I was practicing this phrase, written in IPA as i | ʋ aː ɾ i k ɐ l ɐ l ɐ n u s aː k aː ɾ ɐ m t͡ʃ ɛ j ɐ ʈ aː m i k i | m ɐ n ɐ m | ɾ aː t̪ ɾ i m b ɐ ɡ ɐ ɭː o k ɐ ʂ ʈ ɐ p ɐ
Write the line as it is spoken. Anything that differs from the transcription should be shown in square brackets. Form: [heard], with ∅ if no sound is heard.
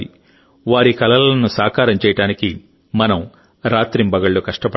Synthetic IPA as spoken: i | ʋ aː ɾ i k ɐ l ɐ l ɐ n u s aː k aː ɾ ɐ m t͡ʃ ɛ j ɐ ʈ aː [n] i k i | m ɐ n ɐ m | ɾ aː t̪ ɾ i m b ɐ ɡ ɐ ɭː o k ɐ ʂ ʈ ɐ p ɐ